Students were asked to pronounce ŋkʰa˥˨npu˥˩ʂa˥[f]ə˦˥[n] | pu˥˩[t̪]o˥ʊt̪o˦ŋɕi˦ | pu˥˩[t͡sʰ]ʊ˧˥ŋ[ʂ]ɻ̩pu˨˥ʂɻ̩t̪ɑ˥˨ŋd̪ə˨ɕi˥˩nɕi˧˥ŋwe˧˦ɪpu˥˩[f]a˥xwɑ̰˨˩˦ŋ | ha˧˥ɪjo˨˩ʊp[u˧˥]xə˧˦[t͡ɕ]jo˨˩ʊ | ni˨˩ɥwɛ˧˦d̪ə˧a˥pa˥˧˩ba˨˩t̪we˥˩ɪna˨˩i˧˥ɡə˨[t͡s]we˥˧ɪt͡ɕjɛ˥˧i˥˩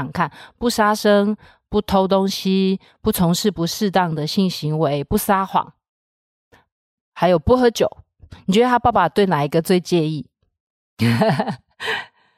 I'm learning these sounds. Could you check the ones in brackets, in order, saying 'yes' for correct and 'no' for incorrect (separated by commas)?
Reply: no, no, no, yes, yes, no, no, yes, yes